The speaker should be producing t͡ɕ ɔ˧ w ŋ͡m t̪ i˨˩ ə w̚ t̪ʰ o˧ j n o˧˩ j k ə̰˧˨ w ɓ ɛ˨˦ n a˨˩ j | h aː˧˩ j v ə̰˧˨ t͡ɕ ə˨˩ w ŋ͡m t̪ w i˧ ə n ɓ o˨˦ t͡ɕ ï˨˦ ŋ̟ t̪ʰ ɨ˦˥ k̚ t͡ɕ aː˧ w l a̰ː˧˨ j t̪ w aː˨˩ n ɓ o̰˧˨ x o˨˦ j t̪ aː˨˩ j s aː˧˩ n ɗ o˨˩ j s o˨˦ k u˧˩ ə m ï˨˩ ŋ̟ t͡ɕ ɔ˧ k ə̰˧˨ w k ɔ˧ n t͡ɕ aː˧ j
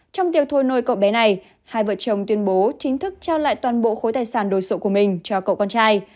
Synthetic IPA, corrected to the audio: t͡ɕ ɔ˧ w ŋ͡m t̪ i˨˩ ə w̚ t̪ʰ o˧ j n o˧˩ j k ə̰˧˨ w ɓ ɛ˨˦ n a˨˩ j | h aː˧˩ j v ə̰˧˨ t͡ɕ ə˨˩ w ŋ͡m t̪ w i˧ ə n ɓ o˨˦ t͡ɕ ï˨˦ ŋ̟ t̪ʰ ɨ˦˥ k̚ t͡ɕ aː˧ w l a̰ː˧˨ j t̪ w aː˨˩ n ɓ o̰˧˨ x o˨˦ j t̪ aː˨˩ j s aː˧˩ n ɗ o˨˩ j s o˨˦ k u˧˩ ə m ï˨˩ ŋ̟ t͡ɕ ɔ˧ k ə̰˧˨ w k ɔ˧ n t͡ɕ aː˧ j